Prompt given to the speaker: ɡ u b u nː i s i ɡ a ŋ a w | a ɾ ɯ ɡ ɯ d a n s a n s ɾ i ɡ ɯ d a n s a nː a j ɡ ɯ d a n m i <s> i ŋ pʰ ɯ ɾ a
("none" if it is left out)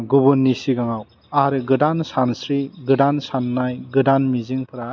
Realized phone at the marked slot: z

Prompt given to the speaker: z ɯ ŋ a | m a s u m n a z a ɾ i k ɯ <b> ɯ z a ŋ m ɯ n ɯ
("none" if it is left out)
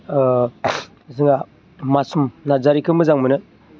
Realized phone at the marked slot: m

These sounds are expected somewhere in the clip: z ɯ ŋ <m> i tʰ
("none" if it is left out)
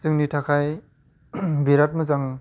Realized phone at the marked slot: n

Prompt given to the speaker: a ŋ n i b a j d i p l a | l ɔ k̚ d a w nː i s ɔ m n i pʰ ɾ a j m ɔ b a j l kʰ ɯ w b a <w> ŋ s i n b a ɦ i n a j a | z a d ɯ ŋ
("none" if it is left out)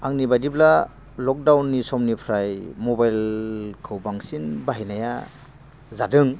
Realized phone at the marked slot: none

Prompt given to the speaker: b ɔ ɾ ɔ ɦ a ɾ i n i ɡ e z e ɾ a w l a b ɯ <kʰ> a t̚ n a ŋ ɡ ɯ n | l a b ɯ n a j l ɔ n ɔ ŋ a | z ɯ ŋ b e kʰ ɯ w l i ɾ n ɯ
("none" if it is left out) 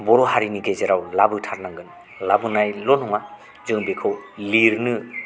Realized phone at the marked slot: tʰ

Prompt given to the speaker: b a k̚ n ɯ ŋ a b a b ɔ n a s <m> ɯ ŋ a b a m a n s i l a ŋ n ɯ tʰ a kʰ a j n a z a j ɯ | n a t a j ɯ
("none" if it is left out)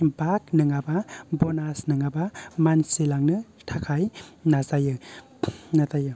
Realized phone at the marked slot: n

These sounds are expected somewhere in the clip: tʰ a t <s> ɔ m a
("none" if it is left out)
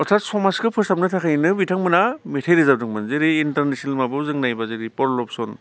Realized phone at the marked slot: s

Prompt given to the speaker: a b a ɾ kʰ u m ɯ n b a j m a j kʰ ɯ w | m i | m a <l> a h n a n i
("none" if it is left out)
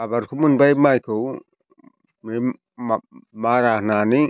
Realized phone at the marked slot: ɾ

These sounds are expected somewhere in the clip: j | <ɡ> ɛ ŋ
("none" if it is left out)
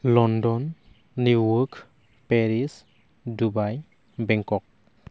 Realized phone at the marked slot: b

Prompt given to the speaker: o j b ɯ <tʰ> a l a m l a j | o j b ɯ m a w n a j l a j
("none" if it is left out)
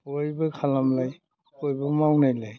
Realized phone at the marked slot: kʰ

